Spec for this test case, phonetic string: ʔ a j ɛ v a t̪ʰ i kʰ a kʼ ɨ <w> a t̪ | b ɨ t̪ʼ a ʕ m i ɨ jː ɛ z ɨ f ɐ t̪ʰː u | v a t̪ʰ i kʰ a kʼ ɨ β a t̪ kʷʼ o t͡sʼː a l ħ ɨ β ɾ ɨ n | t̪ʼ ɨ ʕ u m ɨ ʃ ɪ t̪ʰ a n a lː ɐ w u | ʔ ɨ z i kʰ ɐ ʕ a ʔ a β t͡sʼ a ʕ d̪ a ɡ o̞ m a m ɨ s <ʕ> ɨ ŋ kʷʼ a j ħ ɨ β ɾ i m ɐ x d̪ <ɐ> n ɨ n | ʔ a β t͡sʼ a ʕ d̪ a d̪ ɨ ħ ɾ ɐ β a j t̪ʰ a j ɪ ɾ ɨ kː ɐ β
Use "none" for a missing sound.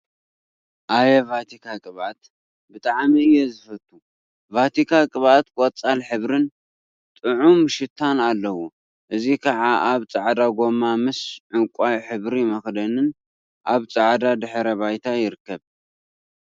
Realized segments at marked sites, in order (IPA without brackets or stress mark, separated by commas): β, ʕ, ɐ